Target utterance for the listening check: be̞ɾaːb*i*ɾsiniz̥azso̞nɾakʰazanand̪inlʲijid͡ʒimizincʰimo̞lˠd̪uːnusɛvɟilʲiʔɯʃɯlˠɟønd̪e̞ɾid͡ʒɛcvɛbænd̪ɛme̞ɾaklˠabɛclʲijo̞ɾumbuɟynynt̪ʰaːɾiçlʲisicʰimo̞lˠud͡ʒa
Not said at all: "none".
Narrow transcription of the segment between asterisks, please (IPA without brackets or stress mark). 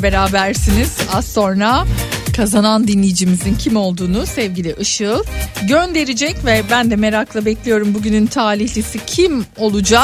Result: æ